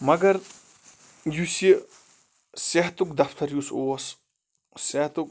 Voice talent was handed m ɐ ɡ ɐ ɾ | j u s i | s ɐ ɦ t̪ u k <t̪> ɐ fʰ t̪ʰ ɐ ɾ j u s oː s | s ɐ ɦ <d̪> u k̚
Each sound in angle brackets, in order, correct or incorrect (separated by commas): incorrect, incorrect